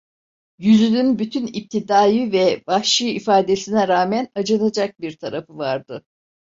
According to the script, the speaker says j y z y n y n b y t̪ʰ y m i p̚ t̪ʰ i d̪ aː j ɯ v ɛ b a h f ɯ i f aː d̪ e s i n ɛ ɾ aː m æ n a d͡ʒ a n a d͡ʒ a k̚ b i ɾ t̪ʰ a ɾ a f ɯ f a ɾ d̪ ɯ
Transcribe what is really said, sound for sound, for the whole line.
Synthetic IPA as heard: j y z y n y n b y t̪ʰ y n i p̚ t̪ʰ i d̪ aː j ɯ v ɛ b a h ʃ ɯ i f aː d̪ e s i n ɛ ɾ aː m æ n a d͡ʒ a n a d͡ʒ a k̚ b i ɾ t̪ʰ a ɾ a f ɯ v a ɾ d̪ ɯ